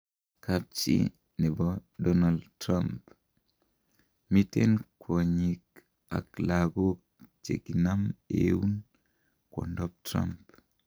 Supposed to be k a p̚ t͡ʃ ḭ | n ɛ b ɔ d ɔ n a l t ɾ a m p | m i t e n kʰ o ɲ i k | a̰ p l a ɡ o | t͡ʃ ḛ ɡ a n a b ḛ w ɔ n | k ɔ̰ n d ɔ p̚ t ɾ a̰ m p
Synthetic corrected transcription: k a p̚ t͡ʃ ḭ | n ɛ b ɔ d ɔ n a l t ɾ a m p | m i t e n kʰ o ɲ i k | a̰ k l a ɡ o | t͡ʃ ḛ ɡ i n a m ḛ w u n | k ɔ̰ n d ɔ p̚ t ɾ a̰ m p